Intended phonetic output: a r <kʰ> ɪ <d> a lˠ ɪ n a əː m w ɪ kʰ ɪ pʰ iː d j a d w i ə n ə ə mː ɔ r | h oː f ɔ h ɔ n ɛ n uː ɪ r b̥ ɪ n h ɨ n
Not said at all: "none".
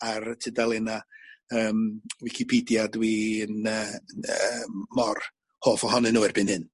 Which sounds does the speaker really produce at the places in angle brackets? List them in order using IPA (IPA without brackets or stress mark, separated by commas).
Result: tʰ, d